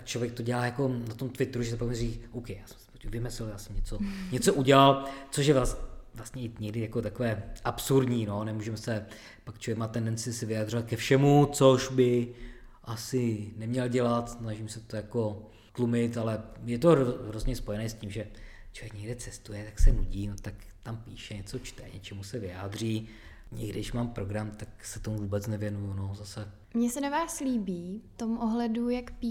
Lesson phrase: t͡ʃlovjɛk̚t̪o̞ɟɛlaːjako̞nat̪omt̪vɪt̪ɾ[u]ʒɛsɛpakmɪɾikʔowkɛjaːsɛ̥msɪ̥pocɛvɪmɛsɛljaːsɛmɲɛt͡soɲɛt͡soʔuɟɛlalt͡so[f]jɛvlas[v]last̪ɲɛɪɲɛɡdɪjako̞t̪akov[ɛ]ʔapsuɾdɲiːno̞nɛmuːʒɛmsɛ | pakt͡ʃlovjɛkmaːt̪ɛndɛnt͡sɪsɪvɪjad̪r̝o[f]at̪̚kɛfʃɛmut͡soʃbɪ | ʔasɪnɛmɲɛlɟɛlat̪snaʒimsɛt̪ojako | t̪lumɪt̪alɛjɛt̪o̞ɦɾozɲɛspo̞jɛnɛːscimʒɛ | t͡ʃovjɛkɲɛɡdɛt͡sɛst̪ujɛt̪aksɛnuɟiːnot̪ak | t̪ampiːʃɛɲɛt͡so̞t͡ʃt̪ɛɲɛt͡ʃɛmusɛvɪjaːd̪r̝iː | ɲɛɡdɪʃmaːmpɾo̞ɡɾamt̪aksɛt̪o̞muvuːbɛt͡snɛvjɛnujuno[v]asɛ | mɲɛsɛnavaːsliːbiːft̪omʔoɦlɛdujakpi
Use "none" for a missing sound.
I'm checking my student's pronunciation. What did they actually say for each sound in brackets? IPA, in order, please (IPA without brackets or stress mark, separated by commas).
u, ʃ, v, ɛː, v, z